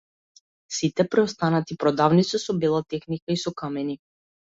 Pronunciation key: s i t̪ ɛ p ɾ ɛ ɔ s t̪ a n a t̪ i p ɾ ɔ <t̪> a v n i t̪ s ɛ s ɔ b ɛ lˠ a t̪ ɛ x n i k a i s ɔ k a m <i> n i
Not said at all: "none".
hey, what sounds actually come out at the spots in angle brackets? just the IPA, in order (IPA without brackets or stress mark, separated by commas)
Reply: d̪, ɛ